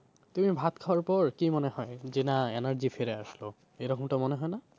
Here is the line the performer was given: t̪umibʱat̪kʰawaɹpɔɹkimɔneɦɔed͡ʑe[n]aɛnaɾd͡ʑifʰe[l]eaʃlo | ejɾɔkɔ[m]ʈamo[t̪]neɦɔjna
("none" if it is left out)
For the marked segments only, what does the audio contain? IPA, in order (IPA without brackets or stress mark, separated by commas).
n, ɾ, m, none